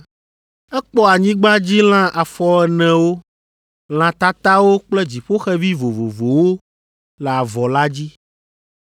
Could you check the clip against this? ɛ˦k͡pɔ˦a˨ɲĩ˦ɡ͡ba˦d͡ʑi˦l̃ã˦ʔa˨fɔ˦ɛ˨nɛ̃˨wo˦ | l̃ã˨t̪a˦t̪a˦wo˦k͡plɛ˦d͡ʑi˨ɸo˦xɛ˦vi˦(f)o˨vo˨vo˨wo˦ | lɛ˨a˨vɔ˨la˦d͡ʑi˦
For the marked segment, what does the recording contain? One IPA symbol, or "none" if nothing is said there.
v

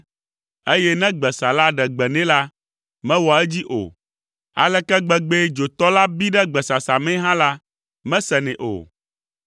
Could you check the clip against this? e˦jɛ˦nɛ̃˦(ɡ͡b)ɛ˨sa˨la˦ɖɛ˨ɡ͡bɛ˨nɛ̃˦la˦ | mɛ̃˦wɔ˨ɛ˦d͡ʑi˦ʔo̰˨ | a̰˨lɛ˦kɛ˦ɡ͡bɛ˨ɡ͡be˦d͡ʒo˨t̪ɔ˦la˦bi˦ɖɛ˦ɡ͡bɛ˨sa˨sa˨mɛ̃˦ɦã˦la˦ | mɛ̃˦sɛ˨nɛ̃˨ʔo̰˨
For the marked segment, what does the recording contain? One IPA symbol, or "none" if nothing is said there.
ɡ͡b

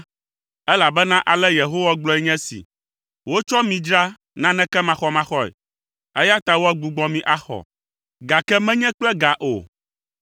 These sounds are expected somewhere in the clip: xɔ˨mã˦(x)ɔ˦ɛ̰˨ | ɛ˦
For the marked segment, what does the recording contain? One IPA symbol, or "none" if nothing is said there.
x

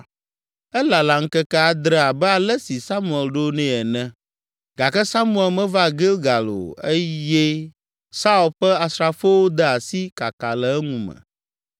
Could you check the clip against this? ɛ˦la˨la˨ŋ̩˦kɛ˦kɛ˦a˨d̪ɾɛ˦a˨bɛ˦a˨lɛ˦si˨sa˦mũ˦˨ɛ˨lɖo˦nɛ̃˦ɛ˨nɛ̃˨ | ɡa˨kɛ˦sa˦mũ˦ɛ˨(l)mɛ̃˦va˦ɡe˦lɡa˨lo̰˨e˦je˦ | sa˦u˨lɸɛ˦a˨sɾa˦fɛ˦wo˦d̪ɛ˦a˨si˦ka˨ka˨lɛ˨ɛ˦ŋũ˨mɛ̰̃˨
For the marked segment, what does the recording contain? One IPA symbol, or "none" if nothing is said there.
l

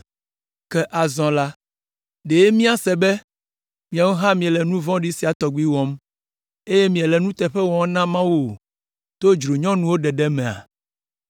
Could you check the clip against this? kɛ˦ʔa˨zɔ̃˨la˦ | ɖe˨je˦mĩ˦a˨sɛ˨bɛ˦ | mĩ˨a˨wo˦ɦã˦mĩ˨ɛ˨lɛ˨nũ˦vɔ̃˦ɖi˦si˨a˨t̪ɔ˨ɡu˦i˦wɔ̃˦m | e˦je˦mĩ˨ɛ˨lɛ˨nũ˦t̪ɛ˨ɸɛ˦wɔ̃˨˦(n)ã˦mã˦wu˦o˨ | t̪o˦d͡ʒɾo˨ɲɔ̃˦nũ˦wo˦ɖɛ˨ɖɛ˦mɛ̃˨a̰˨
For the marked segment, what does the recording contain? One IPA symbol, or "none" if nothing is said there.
n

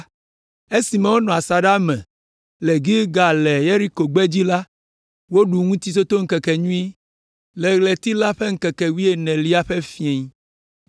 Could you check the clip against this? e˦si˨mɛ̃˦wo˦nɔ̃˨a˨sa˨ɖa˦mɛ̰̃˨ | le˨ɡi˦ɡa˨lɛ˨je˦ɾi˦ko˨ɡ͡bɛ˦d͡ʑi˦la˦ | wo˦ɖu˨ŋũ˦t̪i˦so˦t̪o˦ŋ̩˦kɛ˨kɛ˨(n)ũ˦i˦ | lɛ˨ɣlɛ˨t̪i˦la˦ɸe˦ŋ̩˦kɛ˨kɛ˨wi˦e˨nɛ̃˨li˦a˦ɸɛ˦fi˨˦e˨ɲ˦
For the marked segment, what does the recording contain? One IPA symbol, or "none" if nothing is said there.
ɲ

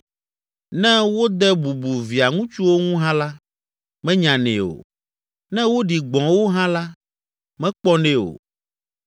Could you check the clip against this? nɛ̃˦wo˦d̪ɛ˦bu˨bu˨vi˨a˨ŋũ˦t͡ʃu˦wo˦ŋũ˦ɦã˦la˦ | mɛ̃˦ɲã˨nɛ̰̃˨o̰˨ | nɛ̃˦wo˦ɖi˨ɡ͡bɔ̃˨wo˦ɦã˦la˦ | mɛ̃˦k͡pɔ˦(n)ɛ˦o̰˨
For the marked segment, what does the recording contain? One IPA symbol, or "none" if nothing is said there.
n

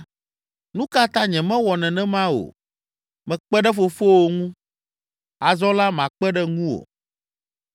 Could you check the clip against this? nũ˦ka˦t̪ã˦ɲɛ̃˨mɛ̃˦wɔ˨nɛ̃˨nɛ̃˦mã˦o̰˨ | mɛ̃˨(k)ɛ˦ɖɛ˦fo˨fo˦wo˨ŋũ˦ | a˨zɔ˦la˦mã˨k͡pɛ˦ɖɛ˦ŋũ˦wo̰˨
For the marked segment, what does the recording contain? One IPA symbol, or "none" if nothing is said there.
k͡p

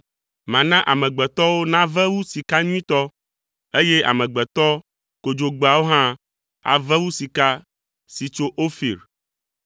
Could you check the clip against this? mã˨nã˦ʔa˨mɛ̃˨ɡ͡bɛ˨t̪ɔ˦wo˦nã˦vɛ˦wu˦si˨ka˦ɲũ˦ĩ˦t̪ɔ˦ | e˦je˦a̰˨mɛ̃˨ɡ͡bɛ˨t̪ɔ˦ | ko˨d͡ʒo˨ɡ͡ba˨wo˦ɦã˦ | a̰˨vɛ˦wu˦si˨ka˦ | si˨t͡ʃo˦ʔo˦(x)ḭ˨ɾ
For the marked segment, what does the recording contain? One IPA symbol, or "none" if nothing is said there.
f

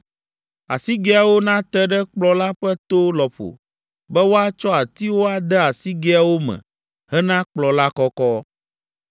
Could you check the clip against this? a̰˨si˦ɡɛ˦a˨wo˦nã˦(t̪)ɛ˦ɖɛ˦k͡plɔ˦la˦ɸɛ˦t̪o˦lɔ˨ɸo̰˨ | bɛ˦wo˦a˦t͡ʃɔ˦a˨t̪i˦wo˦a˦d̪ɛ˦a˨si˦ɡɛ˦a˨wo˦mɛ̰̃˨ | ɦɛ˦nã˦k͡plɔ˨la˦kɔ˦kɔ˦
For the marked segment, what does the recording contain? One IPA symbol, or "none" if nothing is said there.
t̪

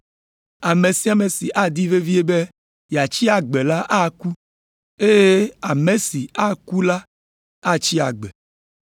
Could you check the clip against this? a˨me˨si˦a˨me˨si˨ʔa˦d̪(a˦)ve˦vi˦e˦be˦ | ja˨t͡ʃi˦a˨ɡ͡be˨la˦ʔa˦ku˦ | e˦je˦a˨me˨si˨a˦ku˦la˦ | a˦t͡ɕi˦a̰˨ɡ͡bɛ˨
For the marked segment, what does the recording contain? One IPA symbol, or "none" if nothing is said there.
i˦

